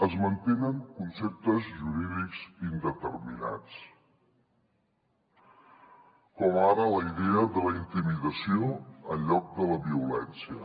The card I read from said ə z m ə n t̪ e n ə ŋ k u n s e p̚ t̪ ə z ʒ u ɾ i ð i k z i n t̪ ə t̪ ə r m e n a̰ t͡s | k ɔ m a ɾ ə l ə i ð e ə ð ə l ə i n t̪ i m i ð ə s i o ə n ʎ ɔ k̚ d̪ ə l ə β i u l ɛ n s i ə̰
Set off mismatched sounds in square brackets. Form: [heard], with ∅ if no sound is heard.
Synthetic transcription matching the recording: ə z m ə n t̪ e n ə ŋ k u n s e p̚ t̪ ə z ʒ u ɾ i ð i k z i n [d̪] ə t̪ ə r m [i] n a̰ t͡s | k ɔ m a ɾ ə l ə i ð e ə ð ə l ə i n t̪ i m i ð ə s i o ə n ʎ ɔ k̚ d̪ ə l ə β i u l ɛ n s i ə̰